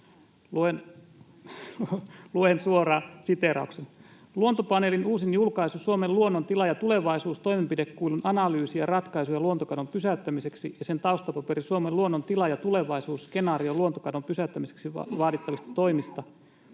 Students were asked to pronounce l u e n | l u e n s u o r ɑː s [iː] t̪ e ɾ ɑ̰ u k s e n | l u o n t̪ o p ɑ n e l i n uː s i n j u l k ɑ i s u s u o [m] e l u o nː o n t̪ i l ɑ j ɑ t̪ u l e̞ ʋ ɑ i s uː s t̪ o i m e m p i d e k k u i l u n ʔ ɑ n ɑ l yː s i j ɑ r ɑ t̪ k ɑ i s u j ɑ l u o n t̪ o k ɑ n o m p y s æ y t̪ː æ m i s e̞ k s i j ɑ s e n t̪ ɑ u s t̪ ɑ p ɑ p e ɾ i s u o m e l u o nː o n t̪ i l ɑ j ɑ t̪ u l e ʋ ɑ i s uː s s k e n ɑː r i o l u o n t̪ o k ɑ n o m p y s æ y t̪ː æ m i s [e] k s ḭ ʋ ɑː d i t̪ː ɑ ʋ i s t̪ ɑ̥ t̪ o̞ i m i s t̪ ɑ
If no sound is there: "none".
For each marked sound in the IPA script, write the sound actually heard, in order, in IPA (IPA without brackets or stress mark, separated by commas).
i, m, e